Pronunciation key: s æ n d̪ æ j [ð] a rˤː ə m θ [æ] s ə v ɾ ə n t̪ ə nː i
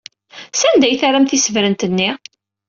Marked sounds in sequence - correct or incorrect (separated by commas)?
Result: incorrect, incorrect